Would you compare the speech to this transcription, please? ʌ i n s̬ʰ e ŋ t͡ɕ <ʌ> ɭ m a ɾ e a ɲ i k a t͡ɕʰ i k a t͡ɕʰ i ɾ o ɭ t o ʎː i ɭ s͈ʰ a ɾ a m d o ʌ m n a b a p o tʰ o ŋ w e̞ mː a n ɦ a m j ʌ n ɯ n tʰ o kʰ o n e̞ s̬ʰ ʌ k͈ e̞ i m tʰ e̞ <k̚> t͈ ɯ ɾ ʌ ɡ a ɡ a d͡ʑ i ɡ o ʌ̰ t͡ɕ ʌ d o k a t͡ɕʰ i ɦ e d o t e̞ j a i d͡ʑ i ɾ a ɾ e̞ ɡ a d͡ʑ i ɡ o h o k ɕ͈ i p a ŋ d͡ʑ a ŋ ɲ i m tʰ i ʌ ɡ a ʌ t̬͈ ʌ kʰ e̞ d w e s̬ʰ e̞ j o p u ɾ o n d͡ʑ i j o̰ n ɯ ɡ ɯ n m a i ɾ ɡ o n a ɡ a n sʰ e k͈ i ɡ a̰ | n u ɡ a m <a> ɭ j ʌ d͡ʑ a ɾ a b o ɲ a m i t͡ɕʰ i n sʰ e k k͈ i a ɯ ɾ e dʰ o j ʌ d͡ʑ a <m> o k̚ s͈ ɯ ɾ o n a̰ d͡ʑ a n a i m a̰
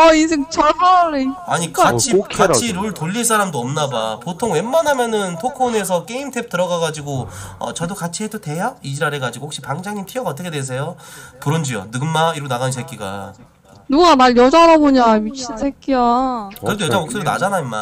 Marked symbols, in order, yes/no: yes, no, yes, yes

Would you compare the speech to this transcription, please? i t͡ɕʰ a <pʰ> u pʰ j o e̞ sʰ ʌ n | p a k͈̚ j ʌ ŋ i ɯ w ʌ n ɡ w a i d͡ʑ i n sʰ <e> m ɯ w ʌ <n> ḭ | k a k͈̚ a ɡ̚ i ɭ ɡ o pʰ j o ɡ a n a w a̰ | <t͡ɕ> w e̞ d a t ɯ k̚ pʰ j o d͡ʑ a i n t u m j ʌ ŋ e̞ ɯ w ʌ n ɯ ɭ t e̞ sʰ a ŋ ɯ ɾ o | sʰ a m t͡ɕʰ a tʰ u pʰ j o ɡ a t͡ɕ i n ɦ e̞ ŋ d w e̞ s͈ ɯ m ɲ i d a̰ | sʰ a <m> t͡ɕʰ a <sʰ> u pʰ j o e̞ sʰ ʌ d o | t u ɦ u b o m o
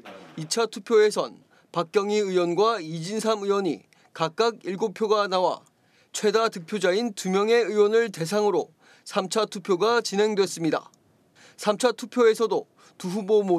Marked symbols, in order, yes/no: no, no, no, no, yes, no

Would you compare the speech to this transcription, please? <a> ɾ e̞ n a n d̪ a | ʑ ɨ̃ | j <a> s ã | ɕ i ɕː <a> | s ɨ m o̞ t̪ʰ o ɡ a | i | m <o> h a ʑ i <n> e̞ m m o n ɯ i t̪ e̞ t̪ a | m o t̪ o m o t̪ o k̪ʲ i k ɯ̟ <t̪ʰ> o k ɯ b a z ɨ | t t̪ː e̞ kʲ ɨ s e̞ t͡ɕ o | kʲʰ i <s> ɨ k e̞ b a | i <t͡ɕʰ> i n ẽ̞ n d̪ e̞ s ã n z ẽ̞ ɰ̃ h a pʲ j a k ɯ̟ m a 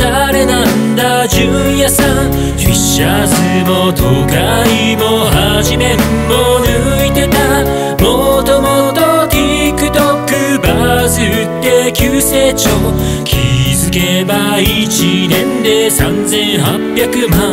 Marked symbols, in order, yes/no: yes, yes, yes, yes, no, no, no, no

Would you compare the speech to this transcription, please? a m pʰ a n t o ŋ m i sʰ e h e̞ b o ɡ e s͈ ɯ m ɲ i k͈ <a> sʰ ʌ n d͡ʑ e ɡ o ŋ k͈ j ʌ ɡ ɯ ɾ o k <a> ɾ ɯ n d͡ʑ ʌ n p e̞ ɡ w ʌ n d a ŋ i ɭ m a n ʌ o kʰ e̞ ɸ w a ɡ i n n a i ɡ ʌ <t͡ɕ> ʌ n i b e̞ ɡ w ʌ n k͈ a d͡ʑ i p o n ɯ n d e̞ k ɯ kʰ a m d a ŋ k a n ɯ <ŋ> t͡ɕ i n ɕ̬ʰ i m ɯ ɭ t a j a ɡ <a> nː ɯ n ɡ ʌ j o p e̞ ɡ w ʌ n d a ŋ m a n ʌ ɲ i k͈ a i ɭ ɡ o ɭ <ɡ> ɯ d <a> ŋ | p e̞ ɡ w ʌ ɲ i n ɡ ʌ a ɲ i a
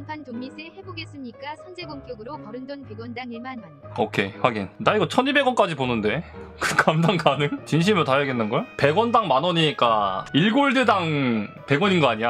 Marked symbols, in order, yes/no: yes, no, no, yes, no, no, yes

